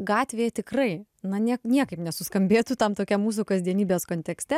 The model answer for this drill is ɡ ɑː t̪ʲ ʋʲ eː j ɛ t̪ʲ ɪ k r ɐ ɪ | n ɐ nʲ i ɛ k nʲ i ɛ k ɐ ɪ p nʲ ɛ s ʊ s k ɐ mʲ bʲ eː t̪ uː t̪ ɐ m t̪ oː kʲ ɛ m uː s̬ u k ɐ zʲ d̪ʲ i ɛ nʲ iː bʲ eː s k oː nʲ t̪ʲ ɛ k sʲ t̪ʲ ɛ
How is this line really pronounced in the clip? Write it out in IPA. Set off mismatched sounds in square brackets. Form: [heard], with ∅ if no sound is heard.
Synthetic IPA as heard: ɡ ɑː t̪ʲ ʋʲ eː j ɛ t̪ʲ ɪ k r ɐ ɪ | n ɐ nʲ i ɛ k nʲ i ɛ k ɐ ɪ p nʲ ɛ s ʊ s k ɐ mʲ bʲ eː t̪ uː t̪ ɐ m t̪ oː kʲ ɛ m uː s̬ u k ɐ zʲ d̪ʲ i ɛ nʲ iː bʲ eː s k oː nʲ t̪ʲ ɛ k sʲ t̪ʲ ɛ